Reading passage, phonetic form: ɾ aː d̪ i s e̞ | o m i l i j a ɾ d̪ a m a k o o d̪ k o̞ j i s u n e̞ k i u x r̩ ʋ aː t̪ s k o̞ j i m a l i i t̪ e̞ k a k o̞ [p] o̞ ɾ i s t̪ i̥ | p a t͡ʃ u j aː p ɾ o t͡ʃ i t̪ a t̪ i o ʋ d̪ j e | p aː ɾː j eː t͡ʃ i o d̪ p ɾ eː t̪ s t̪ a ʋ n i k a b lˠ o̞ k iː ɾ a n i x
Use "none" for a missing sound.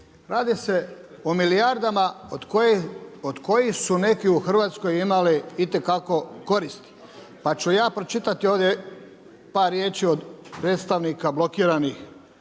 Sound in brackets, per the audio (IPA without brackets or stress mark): k